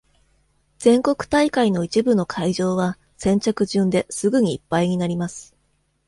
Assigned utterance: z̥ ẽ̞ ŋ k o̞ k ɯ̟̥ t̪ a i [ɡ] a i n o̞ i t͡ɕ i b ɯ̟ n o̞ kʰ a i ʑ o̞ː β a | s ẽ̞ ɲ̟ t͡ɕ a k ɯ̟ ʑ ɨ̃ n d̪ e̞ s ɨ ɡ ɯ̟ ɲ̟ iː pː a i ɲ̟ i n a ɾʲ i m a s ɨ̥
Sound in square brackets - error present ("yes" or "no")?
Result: yes